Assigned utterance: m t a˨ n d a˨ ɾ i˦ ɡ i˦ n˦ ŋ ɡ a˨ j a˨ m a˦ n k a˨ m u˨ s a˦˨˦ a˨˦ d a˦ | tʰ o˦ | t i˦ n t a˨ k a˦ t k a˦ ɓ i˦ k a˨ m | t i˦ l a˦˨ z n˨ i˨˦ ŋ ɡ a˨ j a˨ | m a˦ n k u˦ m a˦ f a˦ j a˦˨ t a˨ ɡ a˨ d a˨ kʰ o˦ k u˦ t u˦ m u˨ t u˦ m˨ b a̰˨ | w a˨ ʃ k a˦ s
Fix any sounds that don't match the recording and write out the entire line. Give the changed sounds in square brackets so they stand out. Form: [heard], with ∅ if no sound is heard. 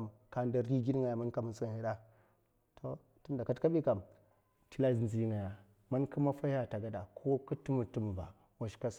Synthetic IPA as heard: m [k] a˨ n d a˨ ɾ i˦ ɡ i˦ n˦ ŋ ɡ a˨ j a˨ m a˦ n k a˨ m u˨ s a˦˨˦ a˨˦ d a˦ | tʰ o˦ | t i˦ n [d] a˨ k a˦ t k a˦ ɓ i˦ k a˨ m | t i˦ l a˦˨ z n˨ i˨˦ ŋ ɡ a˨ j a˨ | m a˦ n k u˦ m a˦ f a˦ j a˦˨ t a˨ ɡ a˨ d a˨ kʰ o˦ k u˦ t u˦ m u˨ t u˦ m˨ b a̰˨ | w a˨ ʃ k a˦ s